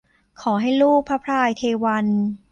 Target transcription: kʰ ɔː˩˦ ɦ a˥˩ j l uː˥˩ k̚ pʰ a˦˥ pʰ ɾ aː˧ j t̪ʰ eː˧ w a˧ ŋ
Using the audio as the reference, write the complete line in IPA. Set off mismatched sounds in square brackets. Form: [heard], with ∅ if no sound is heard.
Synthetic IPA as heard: kʰ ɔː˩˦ ɦ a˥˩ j l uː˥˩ k̚ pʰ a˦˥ pʰ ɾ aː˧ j t̪ʰ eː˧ w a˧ [n]